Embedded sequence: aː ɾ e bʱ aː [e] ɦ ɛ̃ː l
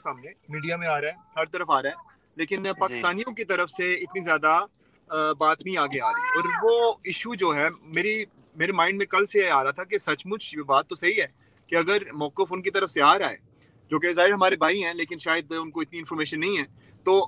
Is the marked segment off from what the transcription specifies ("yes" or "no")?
yes